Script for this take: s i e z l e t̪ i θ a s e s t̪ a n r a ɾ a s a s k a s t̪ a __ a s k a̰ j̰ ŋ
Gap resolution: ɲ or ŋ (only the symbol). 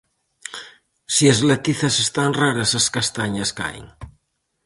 ɲ